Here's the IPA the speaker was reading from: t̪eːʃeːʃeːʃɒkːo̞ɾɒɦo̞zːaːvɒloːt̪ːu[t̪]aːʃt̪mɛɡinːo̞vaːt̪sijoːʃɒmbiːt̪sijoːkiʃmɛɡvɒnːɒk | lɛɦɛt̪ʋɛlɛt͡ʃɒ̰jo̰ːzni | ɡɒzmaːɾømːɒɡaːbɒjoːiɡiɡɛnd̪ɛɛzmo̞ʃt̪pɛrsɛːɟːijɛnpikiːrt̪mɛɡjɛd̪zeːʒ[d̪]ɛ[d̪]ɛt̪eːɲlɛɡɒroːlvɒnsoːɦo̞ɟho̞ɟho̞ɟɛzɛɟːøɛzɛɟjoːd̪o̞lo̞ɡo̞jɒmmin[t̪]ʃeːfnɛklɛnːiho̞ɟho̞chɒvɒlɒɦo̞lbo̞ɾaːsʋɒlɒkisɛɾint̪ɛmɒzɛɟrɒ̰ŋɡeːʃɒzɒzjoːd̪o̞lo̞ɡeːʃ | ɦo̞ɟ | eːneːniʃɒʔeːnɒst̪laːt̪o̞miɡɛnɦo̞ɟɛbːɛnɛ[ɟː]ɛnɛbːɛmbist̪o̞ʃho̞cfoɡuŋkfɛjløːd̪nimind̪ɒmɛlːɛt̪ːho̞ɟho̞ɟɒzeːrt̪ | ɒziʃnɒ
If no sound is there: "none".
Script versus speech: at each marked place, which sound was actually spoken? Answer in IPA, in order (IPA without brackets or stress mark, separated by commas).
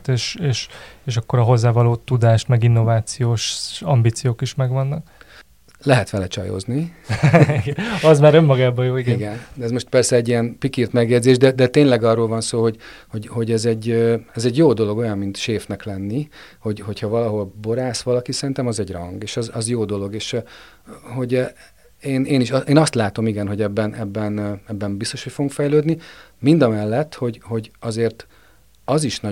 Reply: d̪, d̪, d̪, t̪, bː